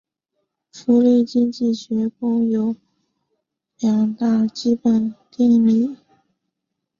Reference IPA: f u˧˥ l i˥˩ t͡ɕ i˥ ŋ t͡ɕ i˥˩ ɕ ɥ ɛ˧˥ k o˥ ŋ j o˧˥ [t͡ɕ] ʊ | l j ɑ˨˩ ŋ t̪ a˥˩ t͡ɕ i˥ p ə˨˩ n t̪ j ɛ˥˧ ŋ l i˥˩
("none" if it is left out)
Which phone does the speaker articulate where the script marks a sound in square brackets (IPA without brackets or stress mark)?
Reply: none